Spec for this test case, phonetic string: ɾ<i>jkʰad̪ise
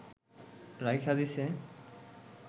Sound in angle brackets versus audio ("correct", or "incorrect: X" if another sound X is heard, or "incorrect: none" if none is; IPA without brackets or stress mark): incorrect: a